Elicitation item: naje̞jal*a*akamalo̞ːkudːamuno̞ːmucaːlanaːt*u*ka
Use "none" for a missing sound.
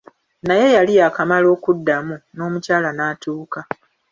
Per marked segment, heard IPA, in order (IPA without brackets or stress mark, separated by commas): i, uː